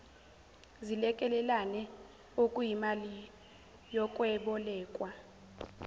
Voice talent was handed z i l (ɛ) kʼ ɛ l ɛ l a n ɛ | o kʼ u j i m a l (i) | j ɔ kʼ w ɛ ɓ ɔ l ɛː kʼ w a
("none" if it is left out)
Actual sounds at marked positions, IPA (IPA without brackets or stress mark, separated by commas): ɛ, i